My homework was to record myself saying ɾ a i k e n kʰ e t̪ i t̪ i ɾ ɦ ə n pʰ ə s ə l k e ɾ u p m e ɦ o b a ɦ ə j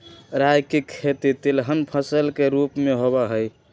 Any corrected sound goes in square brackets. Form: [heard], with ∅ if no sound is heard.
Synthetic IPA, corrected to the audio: ɾ a [j] k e [∅] kʰ e t̪ i t̪ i [l] ɦ ə n pʰ ə s ə l k e ɾ u p m e ɦ o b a ɦ ə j